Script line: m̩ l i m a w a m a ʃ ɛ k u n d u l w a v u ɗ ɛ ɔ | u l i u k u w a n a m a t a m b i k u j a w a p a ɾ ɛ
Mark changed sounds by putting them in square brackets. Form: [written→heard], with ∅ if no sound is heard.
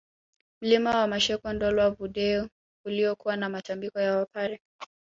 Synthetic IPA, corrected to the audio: m̩ l i m a w a m a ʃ ɛ k [u→ɔ] n d [u→ɔ] l w a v u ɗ ɛ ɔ | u l i [u→ɔ] k u w a n a m a t a m b i k [u→ɔ] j a w a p a ɾ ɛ